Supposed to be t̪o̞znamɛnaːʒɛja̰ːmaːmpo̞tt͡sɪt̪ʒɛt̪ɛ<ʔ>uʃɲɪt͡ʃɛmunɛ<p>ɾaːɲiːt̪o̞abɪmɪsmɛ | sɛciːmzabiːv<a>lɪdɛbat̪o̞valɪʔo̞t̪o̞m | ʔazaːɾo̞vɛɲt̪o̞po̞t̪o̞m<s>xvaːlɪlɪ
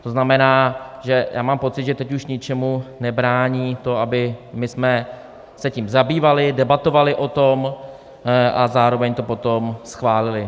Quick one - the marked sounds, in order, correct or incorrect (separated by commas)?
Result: incorrect, incorrect, correct, correct